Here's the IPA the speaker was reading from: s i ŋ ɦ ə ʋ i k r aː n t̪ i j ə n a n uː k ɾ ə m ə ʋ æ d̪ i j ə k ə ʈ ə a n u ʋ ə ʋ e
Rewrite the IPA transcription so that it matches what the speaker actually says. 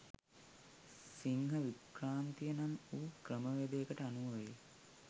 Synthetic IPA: s i ŋ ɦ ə ʋ i k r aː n t̪ i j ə n a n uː k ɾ ə m ə ʋ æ d̪ e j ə k ə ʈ ə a n u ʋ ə ʋ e